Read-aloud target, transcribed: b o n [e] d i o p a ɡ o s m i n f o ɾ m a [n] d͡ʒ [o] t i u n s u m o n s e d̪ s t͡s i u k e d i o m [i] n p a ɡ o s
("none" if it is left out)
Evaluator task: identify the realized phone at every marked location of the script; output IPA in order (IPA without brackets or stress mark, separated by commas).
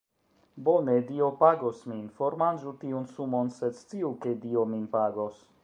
e, n, u, i